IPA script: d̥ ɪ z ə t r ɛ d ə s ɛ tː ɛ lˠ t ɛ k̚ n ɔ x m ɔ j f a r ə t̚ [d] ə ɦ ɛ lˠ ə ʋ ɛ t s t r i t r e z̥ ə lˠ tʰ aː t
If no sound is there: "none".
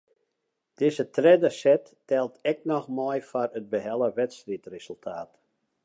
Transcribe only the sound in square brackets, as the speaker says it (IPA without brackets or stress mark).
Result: b